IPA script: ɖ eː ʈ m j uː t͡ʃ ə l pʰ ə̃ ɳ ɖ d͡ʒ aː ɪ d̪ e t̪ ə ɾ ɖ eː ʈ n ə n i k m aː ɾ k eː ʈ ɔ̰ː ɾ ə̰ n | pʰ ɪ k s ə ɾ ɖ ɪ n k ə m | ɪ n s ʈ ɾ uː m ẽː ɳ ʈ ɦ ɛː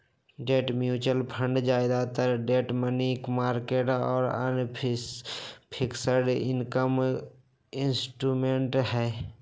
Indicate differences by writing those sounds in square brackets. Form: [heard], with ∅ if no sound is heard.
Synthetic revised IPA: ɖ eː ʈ m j uː t͡ʃ ə l pʰ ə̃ ɳ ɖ d͡ʒ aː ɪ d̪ [a] t̪ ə ɾ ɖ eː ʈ [m] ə n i k m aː ɾ k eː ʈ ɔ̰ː ɾ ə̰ n | pʰ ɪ k s ə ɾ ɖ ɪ n k ə m | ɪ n s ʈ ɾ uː m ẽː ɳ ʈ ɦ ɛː